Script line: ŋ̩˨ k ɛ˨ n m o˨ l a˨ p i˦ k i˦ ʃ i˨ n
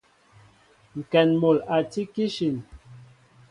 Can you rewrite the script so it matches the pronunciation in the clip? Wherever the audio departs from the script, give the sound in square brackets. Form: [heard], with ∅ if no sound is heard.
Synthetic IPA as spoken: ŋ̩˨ k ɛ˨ n m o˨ l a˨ [t] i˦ k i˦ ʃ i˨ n